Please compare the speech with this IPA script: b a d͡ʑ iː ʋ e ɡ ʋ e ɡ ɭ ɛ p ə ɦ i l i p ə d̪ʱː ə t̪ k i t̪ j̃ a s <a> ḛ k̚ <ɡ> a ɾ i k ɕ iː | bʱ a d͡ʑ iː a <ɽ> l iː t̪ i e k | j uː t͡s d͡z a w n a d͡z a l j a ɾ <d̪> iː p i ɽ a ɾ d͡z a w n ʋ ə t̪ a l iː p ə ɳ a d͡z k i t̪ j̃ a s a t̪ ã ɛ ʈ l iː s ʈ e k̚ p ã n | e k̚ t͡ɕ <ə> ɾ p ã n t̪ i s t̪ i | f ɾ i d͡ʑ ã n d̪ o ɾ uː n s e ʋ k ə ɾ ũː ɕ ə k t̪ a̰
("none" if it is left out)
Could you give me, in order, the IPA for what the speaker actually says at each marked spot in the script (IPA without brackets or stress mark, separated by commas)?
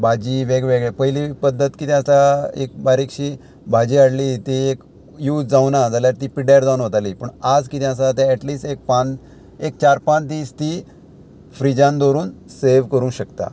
a, b, ɽ, t̪, a